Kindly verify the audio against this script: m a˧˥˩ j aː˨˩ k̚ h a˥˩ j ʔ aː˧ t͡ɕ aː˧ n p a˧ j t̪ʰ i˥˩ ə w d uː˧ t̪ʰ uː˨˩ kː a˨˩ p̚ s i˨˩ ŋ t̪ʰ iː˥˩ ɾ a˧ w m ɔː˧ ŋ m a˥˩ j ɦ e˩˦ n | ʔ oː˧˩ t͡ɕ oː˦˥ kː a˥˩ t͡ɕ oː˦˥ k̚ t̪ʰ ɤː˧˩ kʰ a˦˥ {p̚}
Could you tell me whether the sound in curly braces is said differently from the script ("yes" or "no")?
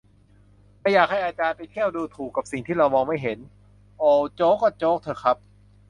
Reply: no